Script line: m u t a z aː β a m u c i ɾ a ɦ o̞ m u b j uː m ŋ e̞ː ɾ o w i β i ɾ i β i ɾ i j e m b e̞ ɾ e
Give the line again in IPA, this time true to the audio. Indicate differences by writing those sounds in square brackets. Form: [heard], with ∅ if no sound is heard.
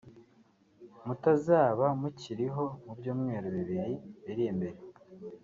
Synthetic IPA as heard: m u t a z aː β a m u c i ɾ [i] ɦ o̞ m u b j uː m ŋ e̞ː ɾ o [β] i β i ɾ i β i ɾ i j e m b e̞ ɾ e